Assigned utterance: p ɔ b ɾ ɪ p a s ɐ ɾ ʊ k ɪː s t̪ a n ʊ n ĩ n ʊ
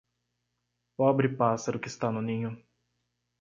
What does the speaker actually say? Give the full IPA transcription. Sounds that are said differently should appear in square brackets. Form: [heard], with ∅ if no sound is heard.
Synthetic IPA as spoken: p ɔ b ɾ ɪ p a s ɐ ɾ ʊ k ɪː s t̪ a n ʊ n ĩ [ɲ] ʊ